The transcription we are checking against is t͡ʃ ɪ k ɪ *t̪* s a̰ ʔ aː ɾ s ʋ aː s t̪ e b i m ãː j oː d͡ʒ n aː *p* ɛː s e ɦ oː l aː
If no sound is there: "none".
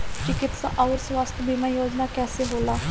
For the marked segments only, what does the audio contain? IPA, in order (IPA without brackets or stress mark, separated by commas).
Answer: t̪, k